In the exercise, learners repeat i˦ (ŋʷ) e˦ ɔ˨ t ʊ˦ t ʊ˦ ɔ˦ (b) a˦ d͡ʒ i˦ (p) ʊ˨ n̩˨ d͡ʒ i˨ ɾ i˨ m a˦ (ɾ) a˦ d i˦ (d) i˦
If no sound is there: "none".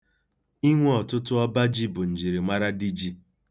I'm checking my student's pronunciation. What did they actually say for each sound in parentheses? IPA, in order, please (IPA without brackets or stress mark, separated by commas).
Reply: ŋʷ, b, b, ɾ, d͡ʒ